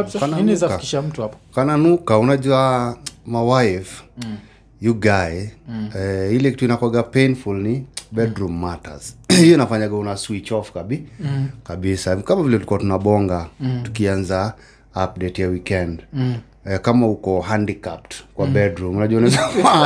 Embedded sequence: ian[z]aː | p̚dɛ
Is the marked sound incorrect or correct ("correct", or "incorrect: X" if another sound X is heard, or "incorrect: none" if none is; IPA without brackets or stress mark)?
correct